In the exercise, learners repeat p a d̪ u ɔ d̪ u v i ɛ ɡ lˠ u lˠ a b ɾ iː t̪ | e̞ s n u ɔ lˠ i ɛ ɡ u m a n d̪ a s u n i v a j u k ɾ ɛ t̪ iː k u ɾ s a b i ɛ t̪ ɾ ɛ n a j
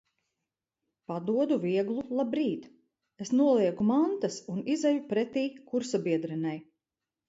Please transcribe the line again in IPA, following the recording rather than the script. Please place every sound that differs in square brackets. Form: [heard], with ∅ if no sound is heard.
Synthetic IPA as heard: p a d̪ u ɔ d̪ u v i ɛ ɡ lˠ u lˠ a b ɾ iː t̪ | e̞ s n u ɔ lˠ i ɛ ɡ u m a n [t̪] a s u n i [z] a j u [p] ɾ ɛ t̪ iː k u ɾ s a b i ɛ [d̪] ɾ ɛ n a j